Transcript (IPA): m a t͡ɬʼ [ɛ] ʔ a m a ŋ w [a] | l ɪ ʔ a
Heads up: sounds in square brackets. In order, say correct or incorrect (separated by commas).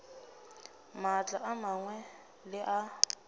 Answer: incorrect, incorrect